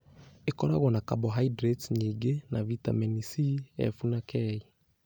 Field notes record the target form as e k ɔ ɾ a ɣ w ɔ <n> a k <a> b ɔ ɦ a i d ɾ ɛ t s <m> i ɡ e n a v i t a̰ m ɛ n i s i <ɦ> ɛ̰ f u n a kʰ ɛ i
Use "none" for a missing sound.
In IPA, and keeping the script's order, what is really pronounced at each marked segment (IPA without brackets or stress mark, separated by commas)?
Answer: n, a, ɲ, none